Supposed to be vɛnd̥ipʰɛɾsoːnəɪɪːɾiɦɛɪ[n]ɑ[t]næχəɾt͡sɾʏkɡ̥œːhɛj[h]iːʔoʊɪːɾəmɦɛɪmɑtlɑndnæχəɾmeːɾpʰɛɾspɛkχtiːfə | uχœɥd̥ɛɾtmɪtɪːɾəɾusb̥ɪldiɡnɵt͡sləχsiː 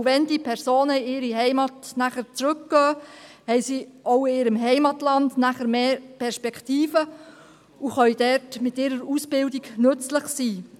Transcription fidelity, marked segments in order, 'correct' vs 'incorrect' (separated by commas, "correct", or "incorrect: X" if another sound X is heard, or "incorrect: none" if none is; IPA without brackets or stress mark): incorrect: m, correct, incorrect: s